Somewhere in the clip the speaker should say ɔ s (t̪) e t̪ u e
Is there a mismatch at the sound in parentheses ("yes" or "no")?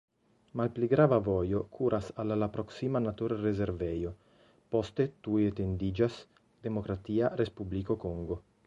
no